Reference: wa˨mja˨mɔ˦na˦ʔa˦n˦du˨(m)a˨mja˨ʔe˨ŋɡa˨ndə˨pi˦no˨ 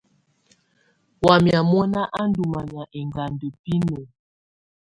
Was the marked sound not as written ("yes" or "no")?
no